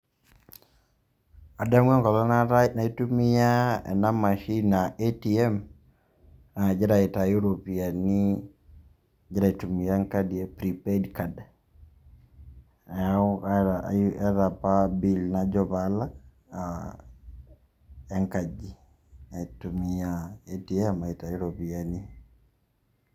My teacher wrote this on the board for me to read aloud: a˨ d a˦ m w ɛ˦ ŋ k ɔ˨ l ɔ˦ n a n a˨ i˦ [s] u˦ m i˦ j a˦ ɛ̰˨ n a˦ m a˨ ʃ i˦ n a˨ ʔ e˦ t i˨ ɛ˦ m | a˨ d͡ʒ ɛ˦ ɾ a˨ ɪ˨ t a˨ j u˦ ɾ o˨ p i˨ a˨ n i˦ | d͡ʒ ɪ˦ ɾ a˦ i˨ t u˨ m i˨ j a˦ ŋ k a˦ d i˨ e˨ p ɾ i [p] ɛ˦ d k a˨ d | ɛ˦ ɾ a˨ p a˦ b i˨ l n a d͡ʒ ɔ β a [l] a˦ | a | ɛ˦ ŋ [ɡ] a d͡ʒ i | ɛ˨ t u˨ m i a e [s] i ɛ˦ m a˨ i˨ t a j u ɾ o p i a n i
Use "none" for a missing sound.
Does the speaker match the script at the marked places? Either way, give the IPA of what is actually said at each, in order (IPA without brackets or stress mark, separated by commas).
t, p, l, k, t